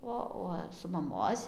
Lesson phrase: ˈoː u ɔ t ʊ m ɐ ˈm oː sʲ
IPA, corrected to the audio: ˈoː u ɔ s ʊ m ɐ ˈm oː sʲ